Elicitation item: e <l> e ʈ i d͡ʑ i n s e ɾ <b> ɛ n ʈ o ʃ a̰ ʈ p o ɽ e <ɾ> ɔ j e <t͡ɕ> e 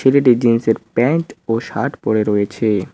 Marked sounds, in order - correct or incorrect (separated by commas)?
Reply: correct, incorrect, correct, incorrect